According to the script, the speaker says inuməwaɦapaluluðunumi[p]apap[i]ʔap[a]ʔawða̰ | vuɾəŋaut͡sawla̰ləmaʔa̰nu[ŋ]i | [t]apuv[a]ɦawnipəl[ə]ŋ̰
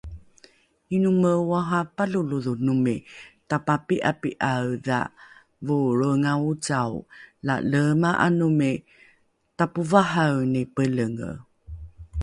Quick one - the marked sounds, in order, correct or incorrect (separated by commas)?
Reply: incorrect, correct, incorrect, incorrect, correct, correct, correct